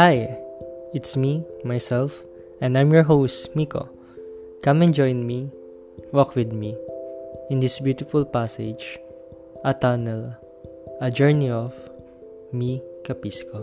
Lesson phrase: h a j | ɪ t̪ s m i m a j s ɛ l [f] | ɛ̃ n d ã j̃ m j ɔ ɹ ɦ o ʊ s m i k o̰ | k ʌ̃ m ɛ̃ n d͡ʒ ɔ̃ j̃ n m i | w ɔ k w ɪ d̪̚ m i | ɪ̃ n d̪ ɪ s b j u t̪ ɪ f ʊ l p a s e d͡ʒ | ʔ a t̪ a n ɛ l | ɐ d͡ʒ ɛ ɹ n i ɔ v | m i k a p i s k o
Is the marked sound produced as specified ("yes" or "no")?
yes